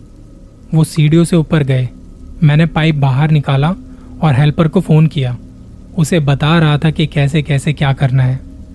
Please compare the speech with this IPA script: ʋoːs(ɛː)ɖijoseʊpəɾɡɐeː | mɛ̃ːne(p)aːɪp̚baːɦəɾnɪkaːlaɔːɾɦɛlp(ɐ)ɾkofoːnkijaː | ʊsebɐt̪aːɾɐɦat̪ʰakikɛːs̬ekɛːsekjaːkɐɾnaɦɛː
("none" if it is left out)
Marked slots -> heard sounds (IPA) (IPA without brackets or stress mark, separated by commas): iː, p, ə